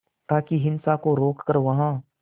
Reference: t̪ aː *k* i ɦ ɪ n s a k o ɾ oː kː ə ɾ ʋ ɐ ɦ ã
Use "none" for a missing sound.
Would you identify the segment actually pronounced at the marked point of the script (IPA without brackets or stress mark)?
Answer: k